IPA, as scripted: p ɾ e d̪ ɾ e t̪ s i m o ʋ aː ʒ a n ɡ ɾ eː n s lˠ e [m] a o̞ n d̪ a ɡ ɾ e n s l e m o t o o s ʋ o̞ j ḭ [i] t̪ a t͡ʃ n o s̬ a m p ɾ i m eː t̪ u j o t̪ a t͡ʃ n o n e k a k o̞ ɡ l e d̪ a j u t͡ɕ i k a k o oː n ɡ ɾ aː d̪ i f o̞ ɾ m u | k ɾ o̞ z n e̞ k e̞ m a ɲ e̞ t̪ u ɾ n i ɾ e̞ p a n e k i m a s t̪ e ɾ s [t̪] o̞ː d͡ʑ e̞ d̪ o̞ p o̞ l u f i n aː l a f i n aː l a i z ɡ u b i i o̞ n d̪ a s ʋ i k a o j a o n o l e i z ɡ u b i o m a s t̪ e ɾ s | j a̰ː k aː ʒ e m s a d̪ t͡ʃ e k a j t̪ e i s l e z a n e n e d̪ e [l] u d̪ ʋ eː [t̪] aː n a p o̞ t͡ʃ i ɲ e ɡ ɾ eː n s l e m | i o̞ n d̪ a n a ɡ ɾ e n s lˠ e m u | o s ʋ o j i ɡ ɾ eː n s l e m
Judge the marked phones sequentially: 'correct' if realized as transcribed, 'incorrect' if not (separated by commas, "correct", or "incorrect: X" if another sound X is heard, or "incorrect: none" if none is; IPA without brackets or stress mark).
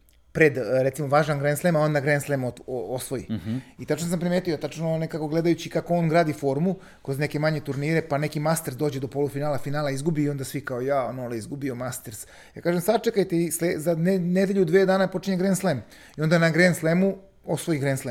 correct, correct, incorrect: d̪, incorrect: ʎ, incorrect: d̪